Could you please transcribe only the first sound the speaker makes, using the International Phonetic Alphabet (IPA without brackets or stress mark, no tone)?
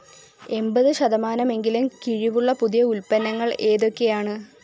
e̞